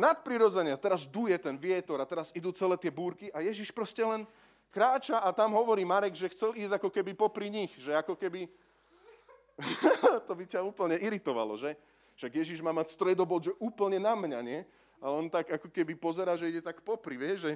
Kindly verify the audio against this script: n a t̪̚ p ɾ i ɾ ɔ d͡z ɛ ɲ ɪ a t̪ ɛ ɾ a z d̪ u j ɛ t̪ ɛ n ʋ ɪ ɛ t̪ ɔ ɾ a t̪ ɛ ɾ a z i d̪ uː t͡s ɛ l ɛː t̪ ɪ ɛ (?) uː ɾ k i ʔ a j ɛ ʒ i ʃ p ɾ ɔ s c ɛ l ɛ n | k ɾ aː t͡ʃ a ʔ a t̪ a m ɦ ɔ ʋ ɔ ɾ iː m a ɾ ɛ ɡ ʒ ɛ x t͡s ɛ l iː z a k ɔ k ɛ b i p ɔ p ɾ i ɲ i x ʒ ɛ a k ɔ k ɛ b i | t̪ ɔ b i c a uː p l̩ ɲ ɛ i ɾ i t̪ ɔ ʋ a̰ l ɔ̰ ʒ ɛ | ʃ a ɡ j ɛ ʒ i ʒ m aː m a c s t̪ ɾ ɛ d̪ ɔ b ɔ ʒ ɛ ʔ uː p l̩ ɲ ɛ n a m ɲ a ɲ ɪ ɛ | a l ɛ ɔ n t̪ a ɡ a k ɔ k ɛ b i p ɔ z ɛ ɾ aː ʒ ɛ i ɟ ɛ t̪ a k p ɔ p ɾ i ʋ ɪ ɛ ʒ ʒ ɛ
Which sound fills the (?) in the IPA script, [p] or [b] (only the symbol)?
b